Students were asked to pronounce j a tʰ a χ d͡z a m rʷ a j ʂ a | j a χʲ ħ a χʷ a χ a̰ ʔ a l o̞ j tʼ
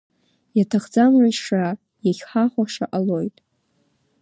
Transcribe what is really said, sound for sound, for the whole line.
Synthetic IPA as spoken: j a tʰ a χ d͡z a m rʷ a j ʂ a | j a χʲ ħ a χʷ a ʂ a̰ ʔ a l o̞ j tʼ